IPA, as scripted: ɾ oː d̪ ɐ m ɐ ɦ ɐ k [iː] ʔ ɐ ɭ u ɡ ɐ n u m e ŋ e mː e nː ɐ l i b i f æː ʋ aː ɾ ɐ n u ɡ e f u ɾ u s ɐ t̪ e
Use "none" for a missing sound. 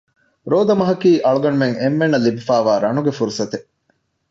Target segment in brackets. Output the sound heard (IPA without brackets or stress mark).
iː